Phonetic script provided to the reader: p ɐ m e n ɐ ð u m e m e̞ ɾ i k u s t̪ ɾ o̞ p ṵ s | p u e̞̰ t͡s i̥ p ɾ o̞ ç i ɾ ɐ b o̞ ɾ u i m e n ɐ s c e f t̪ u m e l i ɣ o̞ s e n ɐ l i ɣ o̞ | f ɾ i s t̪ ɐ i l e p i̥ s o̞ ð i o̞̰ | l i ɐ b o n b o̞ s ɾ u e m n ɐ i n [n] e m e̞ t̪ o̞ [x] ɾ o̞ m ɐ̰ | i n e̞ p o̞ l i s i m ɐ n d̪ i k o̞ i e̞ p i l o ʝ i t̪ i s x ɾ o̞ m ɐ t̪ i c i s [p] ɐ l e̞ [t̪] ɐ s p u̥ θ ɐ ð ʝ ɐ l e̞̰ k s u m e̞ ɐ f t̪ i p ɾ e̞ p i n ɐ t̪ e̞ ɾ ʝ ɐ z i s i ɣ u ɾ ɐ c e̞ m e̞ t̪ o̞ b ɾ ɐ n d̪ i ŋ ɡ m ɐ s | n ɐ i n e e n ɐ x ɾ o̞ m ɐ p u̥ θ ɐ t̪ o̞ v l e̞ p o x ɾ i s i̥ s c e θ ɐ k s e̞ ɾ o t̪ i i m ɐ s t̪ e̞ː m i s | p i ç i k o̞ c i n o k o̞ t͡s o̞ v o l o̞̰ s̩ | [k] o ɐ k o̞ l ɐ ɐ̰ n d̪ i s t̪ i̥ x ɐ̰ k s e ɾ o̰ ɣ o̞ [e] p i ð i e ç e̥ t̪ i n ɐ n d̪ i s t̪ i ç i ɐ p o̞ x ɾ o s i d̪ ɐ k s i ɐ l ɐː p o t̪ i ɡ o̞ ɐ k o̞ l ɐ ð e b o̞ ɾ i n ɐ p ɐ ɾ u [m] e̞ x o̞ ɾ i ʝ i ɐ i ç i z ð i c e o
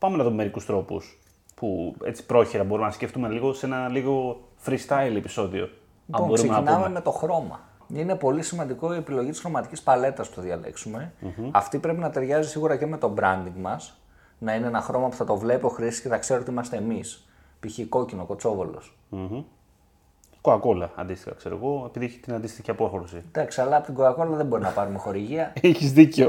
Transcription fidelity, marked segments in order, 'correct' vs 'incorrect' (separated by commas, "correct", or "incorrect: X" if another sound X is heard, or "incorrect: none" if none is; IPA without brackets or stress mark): incorrect: m, correct, correct, correct, correct, correct, correct